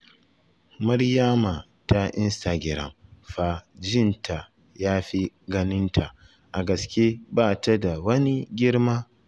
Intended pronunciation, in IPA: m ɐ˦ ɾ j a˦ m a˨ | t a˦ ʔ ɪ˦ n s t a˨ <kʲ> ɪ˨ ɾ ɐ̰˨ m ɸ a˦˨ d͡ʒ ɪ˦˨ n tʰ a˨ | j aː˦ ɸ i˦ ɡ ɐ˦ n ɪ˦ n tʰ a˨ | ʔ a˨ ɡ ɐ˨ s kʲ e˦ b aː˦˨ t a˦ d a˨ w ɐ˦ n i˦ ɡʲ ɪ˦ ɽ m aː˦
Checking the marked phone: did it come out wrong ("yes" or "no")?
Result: yes